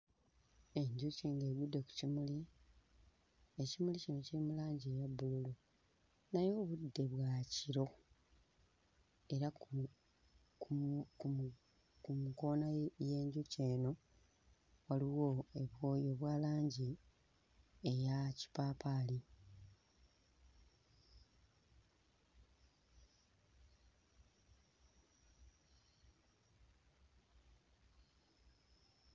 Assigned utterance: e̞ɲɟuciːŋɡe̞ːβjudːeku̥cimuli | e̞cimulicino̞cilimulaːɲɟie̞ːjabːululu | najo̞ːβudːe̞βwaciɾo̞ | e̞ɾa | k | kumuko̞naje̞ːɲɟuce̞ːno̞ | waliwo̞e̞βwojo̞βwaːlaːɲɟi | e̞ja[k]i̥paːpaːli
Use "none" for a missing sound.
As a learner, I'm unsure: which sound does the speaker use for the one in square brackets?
c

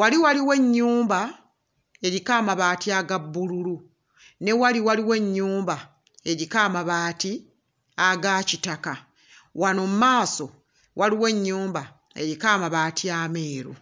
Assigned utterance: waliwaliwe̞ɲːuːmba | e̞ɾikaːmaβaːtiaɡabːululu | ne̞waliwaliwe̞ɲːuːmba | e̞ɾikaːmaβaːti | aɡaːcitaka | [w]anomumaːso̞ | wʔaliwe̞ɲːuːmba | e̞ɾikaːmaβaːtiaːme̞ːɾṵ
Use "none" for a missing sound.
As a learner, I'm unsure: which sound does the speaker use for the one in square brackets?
w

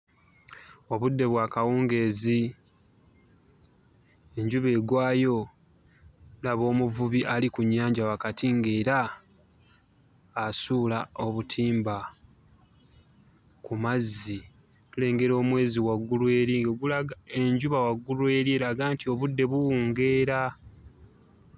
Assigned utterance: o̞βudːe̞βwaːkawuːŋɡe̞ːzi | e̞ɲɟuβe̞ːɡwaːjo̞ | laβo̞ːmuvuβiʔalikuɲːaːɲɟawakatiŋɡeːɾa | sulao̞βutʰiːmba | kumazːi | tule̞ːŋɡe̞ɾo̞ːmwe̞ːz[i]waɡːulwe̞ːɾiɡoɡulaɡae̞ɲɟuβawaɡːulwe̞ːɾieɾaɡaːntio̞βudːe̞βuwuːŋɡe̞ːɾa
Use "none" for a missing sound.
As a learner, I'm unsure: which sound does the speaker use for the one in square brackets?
i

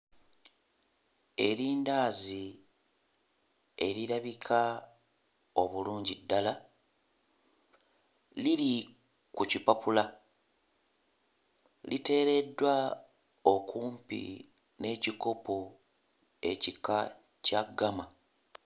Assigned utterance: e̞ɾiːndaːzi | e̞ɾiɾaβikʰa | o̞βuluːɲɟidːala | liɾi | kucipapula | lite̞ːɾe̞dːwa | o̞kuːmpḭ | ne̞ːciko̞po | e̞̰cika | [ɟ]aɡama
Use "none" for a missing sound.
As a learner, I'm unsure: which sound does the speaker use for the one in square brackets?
c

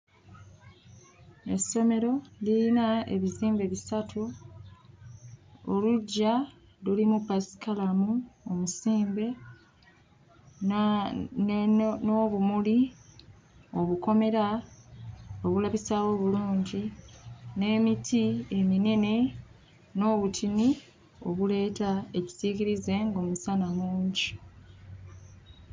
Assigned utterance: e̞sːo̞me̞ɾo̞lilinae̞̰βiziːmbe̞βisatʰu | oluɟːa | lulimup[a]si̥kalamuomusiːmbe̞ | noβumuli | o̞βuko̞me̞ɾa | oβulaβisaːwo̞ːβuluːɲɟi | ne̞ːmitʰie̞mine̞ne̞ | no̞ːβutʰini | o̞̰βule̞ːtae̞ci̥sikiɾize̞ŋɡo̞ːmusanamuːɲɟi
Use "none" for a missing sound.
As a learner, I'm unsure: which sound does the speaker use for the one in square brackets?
a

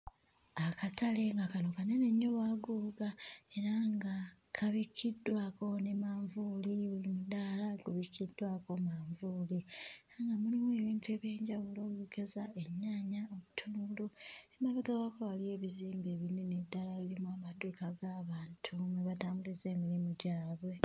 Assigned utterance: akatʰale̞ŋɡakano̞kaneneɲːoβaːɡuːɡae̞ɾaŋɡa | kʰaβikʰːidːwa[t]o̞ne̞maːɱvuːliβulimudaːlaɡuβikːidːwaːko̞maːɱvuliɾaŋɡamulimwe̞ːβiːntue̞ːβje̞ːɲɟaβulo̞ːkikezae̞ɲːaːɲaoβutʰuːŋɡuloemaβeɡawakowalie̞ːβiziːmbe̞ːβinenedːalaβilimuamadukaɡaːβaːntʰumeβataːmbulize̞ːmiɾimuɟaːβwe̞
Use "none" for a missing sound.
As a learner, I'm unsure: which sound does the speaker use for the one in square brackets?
k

